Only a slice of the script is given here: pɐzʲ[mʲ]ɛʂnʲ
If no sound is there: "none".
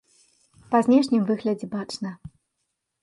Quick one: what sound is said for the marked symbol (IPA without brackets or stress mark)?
nʲ